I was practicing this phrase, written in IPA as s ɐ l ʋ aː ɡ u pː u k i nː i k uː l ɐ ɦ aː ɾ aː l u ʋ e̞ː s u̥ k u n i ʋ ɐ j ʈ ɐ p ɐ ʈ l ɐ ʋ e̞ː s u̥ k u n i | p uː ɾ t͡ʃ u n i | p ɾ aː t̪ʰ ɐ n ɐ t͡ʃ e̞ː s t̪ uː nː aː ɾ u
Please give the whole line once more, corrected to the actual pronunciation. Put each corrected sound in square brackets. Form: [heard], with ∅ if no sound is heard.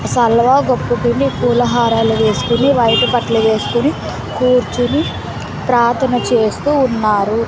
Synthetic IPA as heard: s ɐ l ʋ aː ɡ [o] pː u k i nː i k uː l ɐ ɦ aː ɾ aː l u ʋ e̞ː s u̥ k u n i ʋ ɐ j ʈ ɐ p ɐ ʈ l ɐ ʋ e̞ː s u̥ k u n i | [k] uː ɾ t͡ʃ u n i | p ɾ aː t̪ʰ ɐ n ɐ t͡ʃ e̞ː s t̪ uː nː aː ɾ u

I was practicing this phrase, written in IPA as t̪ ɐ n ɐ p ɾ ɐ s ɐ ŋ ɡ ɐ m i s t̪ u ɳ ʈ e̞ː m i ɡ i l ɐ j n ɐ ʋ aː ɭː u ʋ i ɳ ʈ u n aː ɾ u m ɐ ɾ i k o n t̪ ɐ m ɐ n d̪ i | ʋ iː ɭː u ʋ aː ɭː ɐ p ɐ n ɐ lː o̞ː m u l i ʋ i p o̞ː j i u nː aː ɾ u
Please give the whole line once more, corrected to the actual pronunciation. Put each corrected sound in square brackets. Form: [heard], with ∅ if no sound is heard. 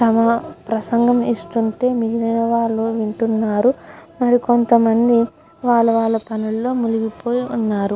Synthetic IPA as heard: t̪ ɐ [m] ɐ p ɾ ɐ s ɐ ŋ ɡ ɐ m i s t̪ u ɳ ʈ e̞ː m i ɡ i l ɐ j n ɐ ʋ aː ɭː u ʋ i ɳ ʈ u [nː] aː ɾ u m ɐ ɾ i k o n t̪ ɐ m ɐ n d̪ i | ʋ [aː] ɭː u ʋ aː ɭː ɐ p ɐ n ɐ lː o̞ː m u l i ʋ i p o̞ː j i u nː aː ɾ u

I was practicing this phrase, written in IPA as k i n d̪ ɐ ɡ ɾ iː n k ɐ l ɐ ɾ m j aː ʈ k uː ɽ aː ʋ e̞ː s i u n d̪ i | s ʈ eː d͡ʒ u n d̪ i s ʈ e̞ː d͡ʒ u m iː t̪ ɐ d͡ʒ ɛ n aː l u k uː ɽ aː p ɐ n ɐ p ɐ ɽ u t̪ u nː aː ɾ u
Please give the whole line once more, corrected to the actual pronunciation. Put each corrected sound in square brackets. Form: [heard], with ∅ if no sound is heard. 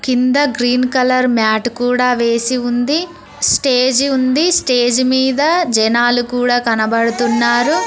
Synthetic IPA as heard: k i n d̪ ɐ ɡ ɾ iː n k ɐ l ɐ ɾ m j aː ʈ k uː ɽ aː ʋ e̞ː s i u n d̪ i | s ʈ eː d͡ʒ u n d̪ i s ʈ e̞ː d͡ʒ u m iː [d̪] ɐ d͡ʒ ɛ n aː l u k uː ɽ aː [k] ɐ n ɐ [b] ɐ ɽ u t̪ u nː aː ɾ u

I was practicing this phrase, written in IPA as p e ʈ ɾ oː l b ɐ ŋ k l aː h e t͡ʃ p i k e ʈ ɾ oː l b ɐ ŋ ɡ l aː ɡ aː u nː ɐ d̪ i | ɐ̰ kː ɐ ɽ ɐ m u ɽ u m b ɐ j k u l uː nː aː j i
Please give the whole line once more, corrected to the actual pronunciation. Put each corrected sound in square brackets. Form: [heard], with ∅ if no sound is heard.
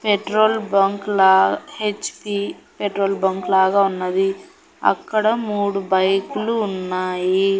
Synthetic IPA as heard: p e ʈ ɾ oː l b ɐ ŋ k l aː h e t͡ʃ p i [p] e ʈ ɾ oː l b ɐ ŋ [k] l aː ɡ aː u nː ɐ d̪ i | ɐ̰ kː ɐ ɽ ɐ m [uː] ɽ u [∅] b ɐ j k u l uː nː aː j i

